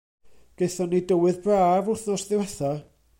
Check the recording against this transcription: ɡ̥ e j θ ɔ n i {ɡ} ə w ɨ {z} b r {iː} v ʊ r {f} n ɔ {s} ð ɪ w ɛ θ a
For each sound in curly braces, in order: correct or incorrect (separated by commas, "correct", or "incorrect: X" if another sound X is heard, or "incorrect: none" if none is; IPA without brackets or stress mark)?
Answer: incorrect: d, incorrect: ð, incorrect: aː, incorrect: θ, correct